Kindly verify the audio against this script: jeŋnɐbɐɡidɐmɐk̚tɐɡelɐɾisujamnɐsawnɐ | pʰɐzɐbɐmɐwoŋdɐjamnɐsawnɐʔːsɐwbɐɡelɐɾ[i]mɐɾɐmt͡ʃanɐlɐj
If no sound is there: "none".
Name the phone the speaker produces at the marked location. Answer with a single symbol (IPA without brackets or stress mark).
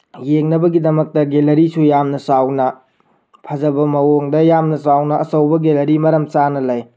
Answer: i